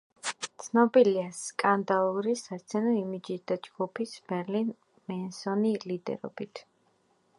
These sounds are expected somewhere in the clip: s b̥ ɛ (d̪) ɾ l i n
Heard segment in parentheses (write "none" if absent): none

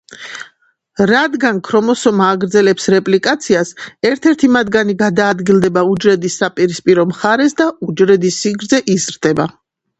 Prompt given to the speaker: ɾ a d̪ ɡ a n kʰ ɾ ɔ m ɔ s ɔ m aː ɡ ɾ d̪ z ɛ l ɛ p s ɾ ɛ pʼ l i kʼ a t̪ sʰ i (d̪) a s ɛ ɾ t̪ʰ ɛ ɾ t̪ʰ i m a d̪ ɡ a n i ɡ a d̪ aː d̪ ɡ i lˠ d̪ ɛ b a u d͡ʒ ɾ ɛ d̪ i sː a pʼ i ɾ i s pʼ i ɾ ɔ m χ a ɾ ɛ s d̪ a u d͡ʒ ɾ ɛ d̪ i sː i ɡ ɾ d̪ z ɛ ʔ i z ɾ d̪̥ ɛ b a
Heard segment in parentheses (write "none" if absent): none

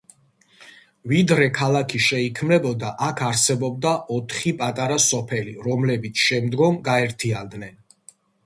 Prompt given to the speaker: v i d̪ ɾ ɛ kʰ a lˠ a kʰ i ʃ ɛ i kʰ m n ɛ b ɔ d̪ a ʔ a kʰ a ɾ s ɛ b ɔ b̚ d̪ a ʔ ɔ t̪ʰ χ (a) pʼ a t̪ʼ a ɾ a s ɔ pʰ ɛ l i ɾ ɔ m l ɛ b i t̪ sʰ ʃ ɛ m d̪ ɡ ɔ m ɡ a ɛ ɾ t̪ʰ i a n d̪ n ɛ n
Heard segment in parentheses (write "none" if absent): i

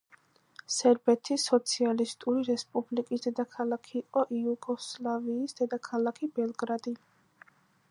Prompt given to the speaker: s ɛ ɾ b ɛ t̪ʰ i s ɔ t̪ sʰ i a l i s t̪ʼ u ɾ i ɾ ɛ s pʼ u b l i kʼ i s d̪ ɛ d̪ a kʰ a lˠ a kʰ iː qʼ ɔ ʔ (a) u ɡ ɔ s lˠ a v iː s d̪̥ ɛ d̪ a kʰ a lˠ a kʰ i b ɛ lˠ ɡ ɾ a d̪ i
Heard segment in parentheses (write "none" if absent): i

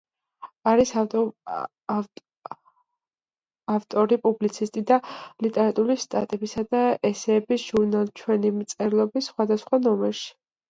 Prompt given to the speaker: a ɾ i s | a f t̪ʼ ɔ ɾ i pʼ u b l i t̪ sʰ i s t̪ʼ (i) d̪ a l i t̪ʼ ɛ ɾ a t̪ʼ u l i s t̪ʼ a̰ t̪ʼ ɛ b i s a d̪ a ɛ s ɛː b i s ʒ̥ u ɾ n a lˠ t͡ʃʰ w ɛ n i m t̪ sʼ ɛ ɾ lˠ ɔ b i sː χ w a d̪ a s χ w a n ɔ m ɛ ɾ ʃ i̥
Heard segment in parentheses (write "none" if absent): i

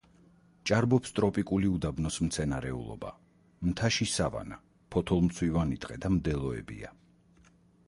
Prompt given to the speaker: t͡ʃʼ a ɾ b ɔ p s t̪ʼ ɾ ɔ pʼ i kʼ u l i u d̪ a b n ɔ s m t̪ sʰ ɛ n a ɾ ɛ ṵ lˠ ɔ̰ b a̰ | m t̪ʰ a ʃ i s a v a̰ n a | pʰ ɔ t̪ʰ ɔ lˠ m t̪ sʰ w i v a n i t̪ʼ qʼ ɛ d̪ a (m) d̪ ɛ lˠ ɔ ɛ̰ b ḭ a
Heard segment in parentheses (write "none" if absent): m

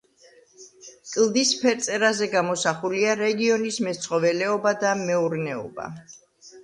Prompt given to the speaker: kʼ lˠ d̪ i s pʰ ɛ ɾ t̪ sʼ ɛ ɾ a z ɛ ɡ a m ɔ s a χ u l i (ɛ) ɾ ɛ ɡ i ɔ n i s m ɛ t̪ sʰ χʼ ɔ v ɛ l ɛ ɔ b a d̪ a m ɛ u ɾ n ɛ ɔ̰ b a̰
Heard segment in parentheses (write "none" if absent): a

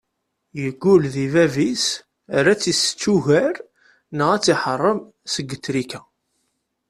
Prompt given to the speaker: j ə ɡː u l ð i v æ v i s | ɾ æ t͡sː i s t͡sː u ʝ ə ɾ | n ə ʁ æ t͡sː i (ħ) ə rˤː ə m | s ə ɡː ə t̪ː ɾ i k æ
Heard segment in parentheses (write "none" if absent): ħ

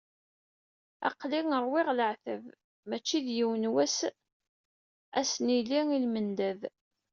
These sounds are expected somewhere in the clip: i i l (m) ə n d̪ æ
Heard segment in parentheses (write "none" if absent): m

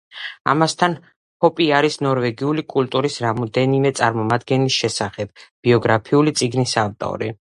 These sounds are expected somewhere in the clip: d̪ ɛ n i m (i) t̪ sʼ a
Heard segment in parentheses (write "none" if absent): ɛ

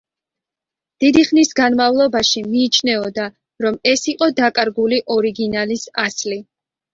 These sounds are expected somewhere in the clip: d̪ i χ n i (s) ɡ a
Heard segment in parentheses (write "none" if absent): s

